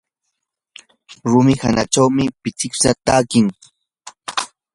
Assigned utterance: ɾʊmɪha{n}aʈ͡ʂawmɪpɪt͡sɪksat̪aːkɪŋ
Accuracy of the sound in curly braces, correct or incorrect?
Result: correct